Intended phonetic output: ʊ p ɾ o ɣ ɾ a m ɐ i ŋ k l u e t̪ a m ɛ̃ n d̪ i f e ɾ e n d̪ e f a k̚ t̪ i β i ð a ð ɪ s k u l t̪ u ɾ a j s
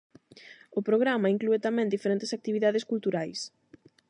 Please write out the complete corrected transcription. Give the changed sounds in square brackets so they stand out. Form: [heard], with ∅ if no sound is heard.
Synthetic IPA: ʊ p ɾ o ɣ ɾ a m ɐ i ŋ k l u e t̪ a m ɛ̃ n d̪ i f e ɾ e n [t̪] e [s] a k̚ t̪ i β i ð a ð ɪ s k u l t̪ u ɾ a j s